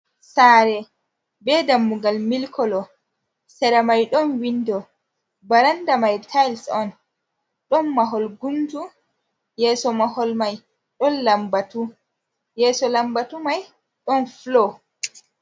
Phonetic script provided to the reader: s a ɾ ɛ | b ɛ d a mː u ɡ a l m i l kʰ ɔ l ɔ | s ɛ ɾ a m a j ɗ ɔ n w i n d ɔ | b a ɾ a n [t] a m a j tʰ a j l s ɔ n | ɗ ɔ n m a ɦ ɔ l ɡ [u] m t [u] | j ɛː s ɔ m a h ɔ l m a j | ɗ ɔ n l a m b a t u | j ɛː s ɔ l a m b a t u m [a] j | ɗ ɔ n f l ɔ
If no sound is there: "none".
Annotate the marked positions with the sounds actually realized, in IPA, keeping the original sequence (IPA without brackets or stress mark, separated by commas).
d, u, u, a